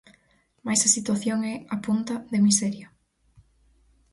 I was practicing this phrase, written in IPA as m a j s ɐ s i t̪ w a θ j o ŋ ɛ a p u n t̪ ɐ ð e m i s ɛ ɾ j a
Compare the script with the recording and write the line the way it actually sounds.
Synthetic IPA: m a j s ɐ s i t̪ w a θ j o ŋ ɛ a p u n t̪ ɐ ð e m i s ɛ ɾ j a